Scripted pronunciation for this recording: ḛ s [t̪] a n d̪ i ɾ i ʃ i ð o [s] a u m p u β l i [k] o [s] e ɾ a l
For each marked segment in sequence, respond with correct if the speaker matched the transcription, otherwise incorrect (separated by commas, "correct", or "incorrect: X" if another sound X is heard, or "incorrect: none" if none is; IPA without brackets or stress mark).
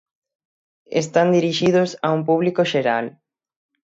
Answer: correct, correct, correct, incorrect: ʃ